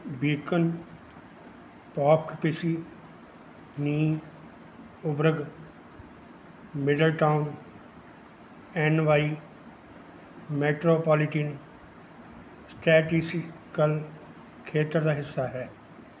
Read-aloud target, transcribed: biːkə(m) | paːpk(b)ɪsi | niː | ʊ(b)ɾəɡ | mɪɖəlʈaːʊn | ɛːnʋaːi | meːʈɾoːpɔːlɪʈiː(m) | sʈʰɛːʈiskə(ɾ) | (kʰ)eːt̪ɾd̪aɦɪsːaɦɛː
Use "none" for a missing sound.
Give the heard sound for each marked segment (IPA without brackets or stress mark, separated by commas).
n, p, b, n, l, kʰ